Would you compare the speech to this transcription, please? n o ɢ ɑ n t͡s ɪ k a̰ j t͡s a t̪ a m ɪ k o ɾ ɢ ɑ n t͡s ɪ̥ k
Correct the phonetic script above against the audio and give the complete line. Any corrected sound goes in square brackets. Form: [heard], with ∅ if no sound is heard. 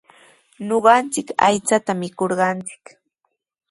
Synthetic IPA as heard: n o ɢ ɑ n t͡s ɪ k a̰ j t͡s a t̪ a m ɪ k o ɾ ɢ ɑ n t͡s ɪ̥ k